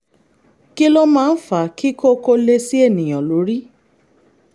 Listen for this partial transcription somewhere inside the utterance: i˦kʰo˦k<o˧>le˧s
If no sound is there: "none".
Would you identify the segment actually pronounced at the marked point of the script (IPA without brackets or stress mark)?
o˧